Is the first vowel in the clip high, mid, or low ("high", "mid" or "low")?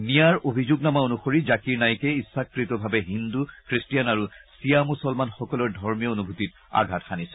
high